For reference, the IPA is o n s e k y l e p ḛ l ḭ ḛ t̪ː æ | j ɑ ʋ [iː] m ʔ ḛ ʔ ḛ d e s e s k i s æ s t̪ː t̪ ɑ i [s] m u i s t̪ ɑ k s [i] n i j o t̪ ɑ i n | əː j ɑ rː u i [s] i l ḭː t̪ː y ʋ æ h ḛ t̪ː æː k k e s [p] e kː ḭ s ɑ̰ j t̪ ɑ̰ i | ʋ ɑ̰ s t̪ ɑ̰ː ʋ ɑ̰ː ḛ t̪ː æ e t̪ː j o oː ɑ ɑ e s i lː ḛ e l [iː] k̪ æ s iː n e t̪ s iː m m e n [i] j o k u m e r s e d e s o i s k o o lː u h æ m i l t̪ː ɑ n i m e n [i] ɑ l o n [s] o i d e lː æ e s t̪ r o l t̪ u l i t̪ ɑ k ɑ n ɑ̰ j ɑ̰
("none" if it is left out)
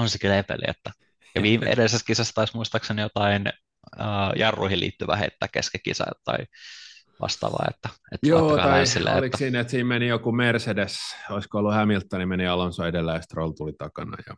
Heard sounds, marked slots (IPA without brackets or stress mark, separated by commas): iː, s, e, h, k, i, i, i, s